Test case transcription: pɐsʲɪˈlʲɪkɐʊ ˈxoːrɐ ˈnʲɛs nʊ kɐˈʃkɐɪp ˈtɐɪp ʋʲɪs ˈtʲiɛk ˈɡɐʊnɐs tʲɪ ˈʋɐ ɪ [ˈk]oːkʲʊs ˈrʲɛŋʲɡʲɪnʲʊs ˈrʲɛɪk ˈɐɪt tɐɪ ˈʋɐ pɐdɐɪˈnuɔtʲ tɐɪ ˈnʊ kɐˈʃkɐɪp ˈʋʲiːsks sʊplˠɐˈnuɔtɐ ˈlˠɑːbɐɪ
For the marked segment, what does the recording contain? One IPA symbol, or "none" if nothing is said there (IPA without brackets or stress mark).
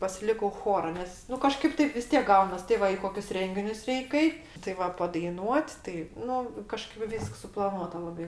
k